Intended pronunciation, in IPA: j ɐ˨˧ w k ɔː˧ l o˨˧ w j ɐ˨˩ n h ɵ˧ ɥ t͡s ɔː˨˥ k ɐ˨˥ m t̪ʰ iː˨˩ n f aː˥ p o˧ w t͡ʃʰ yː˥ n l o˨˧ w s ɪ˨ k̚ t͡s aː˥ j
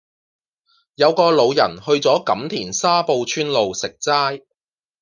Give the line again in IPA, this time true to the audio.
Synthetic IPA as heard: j ɐ˨˧ w k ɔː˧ l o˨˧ w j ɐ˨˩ n h ɵ˧ ɥ t͡s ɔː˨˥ k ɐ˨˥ m t̪ʰ iː˨˩ n s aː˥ p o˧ w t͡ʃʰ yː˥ n l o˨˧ w s ɪ˨ k̚ t͡s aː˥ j